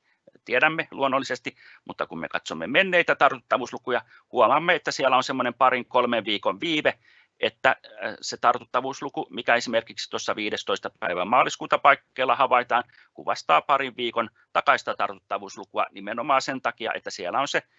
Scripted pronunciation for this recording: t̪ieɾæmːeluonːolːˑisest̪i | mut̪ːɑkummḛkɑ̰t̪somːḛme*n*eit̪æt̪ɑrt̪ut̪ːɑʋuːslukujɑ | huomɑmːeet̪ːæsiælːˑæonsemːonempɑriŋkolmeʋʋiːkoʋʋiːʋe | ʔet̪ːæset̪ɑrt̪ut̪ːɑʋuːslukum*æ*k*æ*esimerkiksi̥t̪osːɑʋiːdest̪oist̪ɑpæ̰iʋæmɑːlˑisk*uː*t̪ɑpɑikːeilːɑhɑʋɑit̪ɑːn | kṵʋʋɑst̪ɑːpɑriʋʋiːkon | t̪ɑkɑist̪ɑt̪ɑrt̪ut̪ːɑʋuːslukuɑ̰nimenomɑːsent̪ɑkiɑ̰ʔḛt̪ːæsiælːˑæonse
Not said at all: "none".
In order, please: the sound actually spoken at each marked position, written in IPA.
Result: nː, i, æ, uː

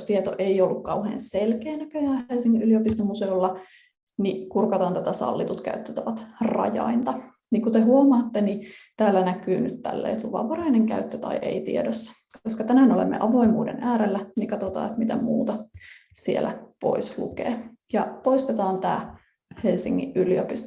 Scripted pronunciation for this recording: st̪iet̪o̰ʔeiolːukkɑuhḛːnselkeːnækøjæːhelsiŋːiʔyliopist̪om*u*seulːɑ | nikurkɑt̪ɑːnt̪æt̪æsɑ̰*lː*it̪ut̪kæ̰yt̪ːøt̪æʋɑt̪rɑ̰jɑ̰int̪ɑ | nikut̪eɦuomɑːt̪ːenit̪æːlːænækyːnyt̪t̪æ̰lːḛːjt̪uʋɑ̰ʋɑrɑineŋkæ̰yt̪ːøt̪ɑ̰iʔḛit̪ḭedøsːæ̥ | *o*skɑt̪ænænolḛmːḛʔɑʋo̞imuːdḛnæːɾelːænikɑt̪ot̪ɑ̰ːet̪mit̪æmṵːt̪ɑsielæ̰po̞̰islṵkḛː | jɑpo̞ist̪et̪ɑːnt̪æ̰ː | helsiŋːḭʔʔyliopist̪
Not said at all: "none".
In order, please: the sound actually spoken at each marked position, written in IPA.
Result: u, lː, o

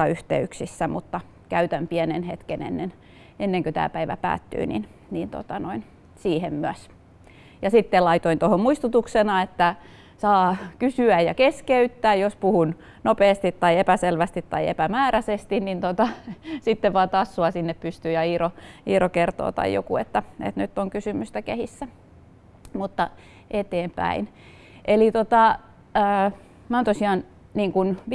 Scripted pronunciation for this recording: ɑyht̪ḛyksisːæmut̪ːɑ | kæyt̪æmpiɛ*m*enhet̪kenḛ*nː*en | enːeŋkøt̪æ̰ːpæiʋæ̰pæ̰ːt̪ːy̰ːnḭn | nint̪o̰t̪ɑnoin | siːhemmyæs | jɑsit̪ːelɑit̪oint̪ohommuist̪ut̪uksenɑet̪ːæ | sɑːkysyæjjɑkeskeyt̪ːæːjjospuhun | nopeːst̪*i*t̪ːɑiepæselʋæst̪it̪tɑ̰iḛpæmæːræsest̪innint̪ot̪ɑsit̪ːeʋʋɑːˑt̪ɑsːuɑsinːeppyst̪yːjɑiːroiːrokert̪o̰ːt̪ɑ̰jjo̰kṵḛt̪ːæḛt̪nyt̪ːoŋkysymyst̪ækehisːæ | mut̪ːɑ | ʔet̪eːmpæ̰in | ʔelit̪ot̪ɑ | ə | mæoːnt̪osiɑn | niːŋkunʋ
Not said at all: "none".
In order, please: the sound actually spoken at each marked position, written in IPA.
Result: n, nː, i

